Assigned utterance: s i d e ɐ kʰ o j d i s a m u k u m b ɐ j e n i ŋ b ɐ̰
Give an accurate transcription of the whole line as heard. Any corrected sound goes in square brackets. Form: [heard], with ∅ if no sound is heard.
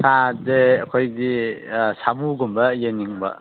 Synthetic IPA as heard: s [a] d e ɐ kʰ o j d i s a m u [ɡ] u m b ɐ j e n i ŋ b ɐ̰